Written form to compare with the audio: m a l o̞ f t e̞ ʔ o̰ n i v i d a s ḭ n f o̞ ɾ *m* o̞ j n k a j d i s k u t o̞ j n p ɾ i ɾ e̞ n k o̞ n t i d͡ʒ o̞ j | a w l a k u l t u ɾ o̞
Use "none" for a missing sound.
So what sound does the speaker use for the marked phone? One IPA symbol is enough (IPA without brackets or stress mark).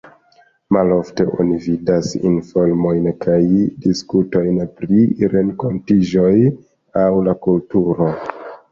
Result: m